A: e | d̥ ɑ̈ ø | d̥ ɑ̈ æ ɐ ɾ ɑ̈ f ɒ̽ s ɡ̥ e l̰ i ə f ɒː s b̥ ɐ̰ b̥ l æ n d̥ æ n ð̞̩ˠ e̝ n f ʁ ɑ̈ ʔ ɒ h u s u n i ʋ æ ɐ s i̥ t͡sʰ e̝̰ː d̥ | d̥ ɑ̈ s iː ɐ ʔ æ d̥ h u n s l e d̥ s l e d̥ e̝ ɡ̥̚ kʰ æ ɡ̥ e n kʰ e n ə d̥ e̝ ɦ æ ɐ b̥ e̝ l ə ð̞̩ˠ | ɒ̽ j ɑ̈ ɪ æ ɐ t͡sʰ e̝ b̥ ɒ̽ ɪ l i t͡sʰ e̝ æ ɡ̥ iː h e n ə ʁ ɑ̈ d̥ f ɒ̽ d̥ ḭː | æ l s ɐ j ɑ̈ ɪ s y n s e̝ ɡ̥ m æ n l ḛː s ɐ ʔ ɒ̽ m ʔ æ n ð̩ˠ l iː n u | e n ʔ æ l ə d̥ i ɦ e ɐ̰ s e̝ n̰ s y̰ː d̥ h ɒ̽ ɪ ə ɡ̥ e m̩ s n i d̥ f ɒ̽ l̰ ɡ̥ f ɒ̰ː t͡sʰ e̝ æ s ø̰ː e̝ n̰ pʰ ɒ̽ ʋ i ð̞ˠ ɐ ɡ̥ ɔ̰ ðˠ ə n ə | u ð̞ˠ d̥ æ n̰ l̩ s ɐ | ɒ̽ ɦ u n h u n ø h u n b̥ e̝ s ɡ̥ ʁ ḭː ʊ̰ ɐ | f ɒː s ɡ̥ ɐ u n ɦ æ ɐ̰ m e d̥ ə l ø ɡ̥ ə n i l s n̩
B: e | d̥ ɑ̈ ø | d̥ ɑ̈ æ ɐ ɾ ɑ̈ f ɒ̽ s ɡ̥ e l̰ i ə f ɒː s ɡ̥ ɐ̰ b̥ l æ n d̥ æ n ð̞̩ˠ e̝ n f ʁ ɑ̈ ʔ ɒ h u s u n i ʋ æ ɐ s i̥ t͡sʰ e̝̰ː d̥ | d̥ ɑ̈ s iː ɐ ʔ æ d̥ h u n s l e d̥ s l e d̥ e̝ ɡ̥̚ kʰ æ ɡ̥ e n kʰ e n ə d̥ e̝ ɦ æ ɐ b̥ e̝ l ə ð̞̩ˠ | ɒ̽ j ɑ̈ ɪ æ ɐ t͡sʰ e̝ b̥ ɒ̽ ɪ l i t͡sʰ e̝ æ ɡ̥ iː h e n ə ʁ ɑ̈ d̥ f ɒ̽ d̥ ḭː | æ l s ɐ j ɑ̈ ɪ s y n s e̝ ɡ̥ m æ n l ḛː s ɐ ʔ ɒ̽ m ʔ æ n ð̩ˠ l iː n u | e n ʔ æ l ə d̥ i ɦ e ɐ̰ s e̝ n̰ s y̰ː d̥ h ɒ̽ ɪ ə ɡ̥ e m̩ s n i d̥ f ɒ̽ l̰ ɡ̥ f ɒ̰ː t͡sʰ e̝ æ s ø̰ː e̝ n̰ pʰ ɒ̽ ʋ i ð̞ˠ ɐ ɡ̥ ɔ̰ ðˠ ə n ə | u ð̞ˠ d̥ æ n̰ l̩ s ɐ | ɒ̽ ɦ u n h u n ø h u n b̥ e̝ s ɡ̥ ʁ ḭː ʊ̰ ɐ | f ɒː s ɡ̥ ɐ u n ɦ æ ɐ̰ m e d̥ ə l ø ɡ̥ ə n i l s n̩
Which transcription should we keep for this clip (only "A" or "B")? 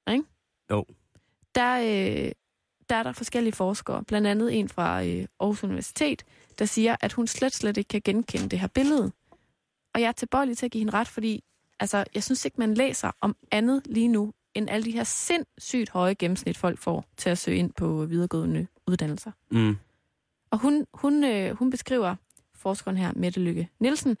B